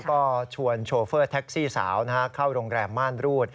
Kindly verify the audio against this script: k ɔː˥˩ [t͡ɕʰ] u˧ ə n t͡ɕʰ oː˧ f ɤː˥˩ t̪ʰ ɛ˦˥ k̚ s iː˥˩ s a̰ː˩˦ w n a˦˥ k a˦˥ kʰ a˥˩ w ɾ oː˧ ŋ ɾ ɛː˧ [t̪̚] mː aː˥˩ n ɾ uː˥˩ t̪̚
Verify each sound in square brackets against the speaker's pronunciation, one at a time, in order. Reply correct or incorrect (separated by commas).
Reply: correct, incorrect